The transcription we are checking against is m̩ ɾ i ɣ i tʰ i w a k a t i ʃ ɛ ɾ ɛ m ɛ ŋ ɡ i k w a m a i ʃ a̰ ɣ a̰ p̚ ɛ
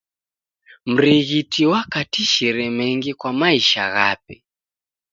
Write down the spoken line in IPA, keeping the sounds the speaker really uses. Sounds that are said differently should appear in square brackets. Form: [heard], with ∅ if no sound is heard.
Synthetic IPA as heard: m̩ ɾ i ɣ i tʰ i w a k a t i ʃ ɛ ɾ ɛ m ɛ ŋ ɡ i k w a m a i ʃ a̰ ɣ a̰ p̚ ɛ